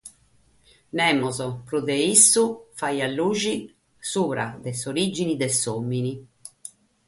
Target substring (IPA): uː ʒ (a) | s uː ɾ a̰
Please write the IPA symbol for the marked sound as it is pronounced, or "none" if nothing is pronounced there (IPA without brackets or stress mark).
i